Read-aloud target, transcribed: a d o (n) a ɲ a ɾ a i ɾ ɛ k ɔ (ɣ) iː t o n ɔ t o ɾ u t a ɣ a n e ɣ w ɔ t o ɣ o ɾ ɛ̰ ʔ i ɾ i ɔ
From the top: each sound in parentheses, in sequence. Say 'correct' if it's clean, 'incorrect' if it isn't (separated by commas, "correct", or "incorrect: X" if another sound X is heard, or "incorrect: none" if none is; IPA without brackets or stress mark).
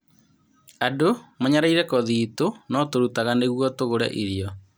incorrect: m, incorrect: ð